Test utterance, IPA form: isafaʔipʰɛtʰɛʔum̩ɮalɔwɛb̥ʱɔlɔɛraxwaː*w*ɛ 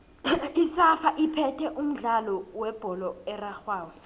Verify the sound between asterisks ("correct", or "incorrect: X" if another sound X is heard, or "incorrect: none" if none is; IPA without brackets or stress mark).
correct